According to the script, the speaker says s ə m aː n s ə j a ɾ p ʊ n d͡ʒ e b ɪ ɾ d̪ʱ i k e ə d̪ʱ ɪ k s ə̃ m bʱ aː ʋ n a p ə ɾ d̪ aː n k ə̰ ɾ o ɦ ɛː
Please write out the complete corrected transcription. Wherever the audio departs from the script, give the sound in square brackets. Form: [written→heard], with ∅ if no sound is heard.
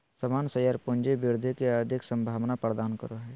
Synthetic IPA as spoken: s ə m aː n s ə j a ɾ p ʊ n d͡ʒ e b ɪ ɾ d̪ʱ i k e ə d̪ʱ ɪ k s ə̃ m bʱ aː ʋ n a p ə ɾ d̪ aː n k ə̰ ɾ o ɦ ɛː